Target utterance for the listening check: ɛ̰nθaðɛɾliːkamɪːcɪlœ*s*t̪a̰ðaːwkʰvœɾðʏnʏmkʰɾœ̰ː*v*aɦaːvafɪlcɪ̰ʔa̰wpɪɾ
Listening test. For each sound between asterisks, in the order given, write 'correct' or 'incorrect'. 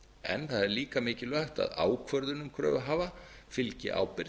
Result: incorrect, correct

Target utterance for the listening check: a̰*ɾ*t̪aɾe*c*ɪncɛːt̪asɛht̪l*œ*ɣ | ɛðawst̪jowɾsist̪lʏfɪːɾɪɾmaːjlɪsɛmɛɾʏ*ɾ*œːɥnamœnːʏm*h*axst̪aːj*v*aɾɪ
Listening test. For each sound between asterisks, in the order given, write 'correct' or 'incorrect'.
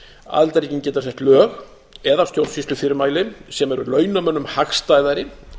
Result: incorrect, correct, incorrect, incorrect, correct, incorrect

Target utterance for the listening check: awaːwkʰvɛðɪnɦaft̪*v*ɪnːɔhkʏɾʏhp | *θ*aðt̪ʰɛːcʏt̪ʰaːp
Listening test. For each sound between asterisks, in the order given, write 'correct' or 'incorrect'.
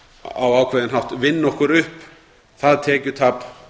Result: correct, correct

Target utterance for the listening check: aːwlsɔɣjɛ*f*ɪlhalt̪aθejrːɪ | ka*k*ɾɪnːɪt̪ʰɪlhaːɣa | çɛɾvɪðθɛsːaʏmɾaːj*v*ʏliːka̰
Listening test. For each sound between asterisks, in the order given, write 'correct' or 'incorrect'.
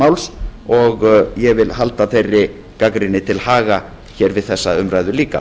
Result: incorrect, correct, incorrect

